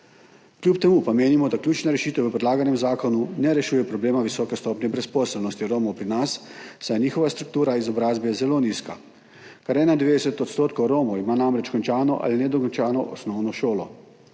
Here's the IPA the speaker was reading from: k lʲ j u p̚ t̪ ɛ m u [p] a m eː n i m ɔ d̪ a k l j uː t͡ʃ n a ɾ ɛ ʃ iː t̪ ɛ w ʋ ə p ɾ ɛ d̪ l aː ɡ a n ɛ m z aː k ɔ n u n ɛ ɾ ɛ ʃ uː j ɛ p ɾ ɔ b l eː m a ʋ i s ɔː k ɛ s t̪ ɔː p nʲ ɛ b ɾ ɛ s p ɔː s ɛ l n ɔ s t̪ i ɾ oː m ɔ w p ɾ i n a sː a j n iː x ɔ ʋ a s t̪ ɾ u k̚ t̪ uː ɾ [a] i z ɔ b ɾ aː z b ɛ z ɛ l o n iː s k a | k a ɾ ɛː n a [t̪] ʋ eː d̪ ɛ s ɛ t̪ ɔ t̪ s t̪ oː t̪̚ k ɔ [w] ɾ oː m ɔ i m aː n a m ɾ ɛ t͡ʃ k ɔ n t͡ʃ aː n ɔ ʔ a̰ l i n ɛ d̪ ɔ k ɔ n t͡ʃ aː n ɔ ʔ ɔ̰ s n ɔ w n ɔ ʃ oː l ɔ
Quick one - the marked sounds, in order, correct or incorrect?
correct, correct, incorrect, correct

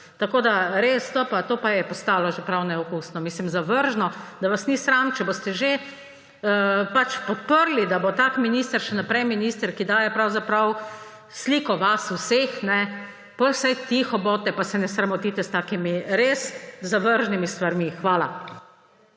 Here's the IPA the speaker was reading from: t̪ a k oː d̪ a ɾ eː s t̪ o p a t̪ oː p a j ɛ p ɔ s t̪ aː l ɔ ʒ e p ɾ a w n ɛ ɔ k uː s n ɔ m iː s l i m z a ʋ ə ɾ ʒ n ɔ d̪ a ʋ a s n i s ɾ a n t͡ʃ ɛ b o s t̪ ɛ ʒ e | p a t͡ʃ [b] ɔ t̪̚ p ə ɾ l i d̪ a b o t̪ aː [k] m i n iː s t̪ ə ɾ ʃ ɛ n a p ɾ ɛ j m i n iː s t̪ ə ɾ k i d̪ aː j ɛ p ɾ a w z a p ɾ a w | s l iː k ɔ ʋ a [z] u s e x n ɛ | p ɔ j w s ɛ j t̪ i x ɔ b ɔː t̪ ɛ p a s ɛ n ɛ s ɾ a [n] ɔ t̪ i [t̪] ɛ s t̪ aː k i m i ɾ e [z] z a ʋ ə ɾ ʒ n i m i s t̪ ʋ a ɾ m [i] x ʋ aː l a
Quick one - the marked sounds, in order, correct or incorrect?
incorrect, correct, incorrect, incorrect, correct, incorrect, correct

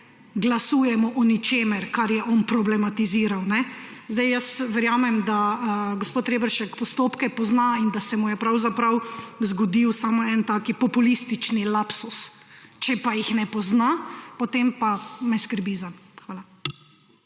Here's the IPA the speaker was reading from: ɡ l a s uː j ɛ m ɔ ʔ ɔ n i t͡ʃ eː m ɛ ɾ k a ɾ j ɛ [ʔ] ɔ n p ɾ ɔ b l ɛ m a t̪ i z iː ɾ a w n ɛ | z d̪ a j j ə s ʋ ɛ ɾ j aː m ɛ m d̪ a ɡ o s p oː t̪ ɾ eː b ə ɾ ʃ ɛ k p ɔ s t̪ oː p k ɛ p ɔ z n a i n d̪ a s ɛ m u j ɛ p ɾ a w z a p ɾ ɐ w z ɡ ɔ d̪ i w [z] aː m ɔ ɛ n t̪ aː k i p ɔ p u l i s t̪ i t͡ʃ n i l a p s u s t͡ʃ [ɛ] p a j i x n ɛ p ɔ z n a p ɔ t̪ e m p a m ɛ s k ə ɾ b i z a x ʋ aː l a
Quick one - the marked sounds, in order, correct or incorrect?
correct, incorrect, correct

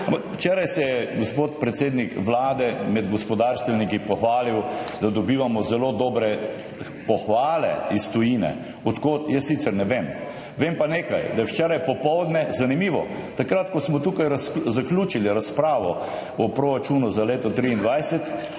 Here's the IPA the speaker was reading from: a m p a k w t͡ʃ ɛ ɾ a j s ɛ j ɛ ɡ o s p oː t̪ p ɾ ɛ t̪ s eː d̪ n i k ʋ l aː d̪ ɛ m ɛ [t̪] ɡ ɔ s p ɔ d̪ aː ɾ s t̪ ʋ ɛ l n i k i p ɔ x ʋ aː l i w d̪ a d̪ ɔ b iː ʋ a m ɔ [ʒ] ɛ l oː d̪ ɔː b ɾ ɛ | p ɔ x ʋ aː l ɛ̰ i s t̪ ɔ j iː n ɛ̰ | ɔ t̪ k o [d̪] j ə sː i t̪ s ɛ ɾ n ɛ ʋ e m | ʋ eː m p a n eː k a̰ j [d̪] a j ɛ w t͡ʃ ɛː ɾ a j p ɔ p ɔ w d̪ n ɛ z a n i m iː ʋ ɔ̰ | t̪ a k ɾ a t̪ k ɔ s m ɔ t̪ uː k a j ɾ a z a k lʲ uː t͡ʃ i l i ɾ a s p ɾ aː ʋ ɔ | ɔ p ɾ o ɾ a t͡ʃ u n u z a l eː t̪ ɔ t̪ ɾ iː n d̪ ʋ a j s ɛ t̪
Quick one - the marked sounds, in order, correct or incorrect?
incorrect, incorrect, incorrect, correct

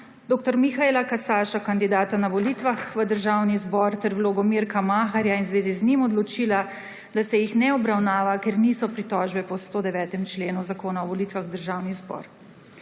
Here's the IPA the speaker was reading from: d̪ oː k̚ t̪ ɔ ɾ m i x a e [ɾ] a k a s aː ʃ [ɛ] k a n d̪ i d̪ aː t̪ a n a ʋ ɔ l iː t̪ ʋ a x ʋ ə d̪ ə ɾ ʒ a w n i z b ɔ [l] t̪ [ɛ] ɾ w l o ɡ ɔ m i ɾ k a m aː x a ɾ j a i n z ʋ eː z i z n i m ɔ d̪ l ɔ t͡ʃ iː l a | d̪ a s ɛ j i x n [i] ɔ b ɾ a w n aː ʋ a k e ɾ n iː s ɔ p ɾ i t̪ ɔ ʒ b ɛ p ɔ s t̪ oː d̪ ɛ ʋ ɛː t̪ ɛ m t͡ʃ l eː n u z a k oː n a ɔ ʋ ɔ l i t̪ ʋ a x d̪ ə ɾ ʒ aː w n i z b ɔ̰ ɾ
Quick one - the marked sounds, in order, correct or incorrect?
incorrect, incorrect, incorrect, correct, incorrect

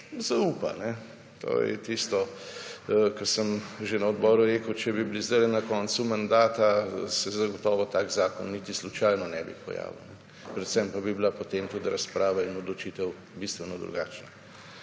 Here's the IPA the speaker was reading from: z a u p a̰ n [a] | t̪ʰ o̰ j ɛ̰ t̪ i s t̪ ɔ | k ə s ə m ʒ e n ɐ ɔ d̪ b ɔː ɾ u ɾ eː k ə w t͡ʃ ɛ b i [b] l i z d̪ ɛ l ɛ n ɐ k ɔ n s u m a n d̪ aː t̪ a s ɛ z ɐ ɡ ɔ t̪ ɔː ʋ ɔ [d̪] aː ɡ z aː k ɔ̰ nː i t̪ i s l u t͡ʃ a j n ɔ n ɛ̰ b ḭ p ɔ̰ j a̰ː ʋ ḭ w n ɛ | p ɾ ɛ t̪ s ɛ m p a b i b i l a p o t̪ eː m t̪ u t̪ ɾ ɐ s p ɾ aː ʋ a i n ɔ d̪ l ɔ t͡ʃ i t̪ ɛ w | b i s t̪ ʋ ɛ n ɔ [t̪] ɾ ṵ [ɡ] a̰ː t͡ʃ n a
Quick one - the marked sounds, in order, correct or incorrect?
incorrect, correct, incorrect, incorrect, correct

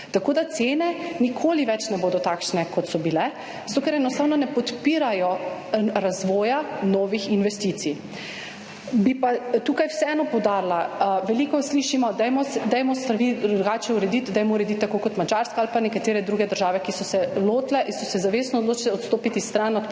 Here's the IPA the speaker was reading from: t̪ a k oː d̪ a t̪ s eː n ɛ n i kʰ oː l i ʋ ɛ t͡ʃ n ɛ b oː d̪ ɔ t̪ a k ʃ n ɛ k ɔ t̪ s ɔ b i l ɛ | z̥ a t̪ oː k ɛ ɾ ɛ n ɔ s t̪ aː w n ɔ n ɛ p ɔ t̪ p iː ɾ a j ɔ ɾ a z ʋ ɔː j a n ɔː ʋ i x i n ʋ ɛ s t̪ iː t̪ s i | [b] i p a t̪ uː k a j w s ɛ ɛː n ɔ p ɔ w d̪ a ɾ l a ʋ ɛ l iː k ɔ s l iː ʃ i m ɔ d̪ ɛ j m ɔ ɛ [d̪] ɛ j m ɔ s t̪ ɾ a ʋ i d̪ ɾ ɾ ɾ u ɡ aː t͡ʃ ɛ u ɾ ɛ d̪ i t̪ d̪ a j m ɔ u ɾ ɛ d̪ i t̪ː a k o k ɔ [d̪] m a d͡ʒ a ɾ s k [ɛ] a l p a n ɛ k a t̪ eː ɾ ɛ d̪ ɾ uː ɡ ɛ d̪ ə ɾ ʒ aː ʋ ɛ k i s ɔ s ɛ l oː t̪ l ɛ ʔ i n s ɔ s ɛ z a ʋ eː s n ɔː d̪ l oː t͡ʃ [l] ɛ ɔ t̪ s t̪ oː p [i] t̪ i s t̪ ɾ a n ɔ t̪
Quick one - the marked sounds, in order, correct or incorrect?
correct, correct, incorrect, incorrect, correct, correct

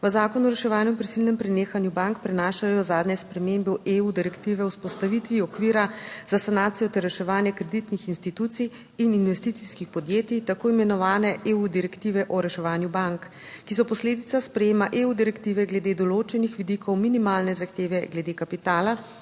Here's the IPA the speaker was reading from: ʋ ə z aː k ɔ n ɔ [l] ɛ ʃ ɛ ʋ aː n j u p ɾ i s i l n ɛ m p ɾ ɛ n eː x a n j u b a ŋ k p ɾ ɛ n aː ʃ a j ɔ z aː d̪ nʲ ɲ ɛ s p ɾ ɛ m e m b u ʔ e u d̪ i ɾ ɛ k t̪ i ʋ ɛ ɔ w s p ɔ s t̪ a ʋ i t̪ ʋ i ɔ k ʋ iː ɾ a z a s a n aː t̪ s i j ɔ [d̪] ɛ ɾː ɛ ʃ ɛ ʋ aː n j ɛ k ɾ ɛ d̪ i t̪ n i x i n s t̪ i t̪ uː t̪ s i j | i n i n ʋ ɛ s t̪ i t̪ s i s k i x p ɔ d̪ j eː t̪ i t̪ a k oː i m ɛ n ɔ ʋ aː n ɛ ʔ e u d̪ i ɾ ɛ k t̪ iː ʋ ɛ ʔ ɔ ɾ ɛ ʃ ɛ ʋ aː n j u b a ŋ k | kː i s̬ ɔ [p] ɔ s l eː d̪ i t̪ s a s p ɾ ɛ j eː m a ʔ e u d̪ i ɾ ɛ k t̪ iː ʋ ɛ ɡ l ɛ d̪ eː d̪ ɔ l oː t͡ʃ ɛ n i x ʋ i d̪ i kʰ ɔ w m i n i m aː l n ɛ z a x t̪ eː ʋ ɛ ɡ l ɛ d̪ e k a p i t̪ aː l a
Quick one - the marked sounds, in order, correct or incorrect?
incorrect, incorrect, correct

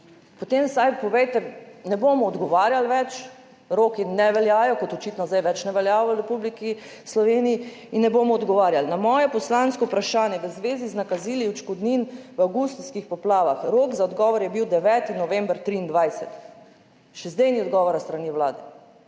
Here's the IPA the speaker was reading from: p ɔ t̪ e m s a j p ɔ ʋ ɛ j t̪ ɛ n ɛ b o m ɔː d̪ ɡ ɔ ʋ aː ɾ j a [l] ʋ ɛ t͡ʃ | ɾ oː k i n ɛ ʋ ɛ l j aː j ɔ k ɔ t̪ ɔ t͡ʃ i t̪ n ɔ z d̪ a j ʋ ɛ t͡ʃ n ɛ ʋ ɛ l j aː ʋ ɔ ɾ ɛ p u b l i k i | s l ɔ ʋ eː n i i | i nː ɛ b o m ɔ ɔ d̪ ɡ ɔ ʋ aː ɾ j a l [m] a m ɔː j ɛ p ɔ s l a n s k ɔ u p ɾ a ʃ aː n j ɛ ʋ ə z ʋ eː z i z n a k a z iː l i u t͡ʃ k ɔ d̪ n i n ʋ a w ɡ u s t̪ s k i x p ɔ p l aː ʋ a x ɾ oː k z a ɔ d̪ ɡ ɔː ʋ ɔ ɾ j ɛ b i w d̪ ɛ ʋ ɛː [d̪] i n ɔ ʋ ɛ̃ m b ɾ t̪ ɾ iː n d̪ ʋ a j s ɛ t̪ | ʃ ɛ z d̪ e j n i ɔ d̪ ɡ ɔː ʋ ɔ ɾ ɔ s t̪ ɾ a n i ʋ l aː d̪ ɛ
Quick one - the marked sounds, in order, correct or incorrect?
correct, incorrect, incorrect

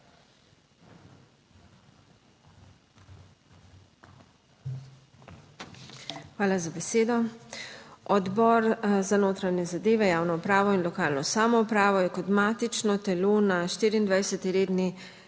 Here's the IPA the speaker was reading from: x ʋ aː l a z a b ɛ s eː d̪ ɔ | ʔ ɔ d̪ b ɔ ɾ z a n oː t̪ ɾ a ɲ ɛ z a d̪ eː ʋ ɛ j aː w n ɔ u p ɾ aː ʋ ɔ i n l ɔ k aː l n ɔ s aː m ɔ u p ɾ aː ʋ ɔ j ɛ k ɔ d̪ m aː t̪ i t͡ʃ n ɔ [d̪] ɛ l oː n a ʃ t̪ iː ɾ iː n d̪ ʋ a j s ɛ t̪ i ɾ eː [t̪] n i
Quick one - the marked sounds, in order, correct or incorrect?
incorrect, incorrect

